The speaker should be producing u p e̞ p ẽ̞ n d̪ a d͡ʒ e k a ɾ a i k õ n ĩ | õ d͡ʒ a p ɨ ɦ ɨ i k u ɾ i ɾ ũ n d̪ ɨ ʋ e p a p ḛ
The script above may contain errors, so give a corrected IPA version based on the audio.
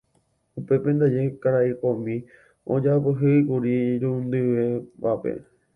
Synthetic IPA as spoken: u p e̞ p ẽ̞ n d̪ a d͡ʒ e k a ɾ a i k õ m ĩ | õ d͡ʒ a p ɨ ɦ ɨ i k u ɾ i ɾ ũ n d̪ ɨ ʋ e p a p ḛ

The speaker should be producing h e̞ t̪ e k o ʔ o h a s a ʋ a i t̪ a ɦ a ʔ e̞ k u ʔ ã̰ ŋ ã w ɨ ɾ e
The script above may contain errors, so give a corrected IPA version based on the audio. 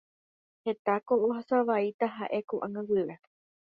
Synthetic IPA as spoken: h e̞ t̪ a k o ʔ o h a s a ʋ a i t̪ a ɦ a ʔ e̞ k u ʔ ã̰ ŋ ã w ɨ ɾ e

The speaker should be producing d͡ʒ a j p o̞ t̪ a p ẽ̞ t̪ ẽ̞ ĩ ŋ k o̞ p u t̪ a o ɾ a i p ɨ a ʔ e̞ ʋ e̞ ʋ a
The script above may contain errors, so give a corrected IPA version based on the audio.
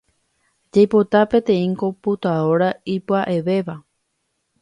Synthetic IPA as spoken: d͡ʒ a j p o̞ t̪ a p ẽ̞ t̪ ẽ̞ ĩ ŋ k o̞ p u t̪ a o ɾ a i p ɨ a ʔ e̞ ʋ e̞ ʋ a

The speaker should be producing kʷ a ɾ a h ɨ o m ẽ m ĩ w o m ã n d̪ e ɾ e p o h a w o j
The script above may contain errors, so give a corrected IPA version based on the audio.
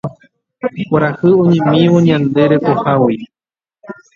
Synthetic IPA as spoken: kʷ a ɾ a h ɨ o ɲ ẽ m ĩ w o ɲ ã n d̪ e ɾ e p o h a w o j

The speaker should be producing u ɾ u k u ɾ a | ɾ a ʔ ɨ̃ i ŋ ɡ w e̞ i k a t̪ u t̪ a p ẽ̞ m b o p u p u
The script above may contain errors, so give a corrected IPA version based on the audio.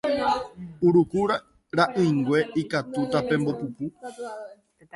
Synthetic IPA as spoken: u ɾ u k u ɾ a | ɾ a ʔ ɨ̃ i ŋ ɡ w e̞ i k a t̪ u t̪ a p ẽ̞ m b o p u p u

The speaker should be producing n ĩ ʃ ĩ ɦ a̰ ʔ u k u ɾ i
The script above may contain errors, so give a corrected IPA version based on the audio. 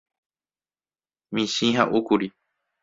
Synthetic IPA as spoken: m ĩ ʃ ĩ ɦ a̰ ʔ u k u ɾ i

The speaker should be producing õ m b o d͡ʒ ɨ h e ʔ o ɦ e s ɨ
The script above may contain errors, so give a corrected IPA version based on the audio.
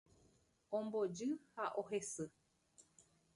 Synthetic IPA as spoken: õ m b o d͡ʒ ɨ h a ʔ o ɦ e s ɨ

